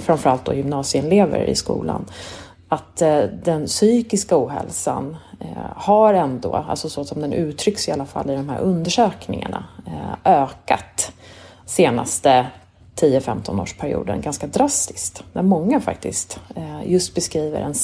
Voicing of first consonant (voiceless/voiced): voiceless